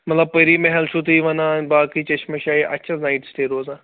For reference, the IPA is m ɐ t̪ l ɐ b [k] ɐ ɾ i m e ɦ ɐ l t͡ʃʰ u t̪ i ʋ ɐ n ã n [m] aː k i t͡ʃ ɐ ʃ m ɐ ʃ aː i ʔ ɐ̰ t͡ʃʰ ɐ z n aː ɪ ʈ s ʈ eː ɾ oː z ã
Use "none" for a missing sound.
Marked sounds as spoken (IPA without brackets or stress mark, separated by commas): p, b